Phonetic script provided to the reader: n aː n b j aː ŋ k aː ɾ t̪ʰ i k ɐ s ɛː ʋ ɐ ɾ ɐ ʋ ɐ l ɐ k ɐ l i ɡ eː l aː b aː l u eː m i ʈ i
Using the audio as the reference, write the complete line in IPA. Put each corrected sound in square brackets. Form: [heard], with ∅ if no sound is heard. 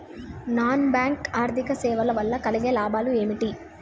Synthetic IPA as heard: n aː n b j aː ŋ k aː ɾ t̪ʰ i k ɐ s ɛː ʋ ɐ [l] ɐ ʋ ɐ [lː] ɐ k ɐ l i ɡ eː l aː b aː l u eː m i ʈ i